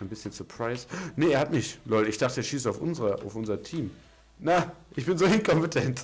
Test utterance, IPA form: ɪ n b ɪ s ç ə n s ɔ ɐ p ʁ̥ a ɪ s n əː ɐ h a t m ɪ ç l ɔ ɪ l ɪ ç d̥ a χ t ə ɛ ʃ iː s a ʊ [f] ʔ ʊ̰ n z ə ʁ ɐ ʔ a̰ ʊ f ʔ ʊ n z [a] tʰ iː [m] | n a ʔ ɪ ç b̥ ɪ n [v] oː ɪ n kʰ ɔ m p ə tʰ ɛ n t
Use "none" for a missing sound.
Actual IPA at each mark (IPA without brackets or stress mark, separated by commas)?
f, ɐ, m, z